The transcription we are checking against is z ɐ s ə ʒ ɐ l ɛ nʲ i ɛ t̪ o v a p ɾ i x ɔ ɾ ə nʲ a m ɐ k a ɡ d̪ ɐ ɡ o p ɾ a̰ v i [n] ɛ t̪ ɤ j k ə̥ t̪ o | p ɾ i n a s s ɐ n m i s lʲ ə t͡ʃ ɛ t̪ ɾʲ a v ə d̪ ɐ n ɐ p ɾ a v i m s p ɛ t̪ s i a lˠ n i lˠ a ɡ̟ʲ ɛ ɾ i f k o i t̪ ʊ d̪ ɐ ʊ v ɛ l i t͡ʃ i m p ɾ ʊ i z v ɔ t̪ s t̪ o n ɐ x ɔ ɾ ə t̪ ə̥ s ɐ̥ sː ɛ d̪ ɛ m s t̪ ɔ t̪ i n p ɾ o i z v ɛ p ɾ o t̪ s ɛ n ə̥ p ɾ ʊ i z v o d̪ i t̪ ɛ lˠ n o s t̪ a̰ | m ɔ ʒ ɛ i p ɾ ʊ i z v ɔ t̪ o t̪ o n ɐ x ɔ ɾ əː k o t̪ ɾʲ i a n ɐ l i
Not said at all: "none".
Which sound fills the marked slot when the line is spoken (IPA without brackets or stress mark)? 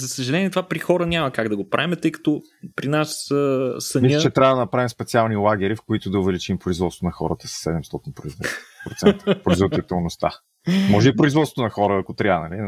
m